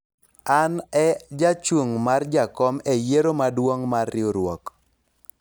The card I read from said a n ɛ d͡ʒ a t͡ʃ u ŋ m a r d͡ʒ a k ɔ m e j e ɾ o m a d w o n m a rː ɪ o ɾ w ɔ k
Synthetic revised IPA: a n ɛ d͡ʒ a t͡ʃ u ŋ m a r d͡ʒ a k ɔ m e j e ɾ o m a d w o ŋ m a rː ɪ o ɾ w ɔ k